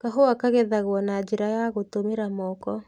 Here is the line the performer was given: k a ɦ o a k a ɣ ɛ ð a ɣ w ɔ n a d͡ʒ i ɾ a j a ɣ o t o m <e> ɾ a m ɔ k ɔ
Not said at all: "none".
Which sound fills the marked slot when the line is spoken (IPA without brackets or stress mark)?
e